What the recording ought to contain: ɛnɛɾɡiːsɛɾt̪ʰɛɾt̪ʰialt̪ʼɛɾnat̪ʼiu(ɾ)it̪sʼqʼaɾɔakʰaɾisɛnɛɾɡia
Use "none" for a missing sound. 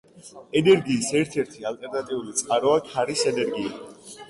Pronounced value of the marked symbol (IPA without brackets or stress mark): l